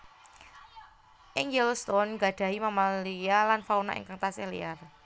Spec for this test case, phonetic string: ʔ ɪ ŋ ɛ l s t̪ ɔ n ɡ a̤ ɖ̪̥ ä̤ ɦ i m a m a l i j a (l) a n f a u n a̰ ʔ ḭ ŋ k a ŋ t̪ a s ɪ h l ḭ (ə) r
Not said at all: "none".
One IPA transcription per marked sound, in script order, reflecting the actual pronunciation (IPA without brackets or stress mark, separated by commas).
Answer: l, a